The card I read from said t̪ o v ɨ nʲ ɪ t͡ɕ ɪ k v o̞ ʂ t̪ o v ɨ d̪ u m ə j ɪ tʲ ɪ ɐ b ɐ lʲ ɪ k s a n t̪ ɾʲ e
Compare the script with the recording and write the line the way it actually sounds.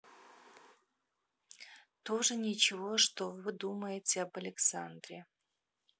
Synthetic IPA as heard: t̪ o ʐ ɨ nʲ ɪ t͡ɕ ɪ v o̞ ʂ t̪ o v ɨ d̪ u m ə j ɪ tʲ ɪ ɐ b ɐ lʲ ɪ k s a n d̪ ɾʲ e